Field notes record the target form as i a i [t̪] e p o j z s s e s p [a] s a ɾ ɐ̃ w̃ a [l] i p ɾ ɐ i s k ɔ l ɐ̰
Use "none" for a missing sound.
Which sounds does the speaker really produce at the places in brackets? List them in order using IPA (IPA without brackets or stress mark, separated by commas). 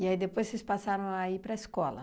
d̪, a, none